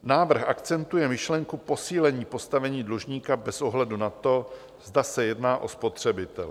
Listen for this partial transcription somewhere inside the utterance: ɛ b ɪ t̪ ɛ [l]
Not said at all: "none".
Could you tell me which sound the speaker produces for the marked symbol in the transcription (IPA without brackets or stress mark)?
l